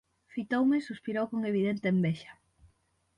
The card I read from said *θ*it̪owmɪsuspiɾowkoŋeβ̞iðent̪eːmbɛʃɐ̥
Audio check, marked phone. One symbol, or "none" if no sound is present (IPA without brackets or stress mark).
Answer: f